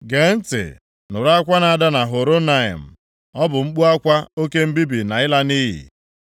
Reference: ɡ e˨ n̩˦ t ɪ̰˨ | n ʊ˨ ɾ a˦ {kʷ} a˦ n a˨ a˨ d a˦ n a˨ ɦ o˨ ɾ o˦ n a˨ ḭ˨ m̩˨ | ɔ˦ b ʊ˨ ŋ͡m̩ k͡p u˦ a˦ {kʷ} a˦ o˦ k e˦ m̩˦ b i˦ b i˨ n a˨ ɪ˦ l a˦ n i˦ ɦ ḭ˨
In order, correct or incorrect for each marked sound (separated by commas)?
correct, correct